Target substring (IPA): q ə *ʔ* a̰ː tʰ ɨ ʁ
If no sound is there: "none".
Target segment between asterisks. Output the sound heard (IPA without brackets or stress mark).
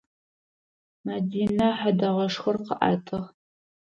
ʔ